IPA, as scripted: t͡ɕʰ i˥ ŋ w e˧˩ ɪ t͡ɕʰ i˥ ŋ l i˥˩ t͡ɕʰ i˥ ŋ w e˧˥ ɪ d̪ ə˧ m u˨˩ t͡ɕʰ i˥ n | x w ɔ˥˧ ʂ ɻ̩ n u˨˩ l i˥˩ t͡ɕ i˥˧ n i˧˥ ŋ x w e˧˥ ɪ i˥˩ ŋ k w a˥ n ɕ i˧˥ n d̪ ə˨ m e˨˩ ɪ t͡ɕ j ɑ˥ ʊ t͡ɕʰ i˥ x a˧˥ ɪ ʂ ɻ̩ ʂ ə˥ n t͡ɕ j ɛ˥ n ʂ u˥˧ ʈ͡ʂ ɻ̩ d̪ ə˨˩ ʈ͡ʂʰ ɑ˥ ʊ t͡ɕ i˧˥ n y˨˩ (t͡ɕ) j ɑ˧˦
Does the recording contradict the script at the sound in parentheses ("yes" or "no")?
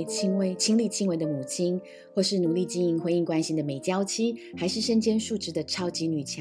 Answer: yes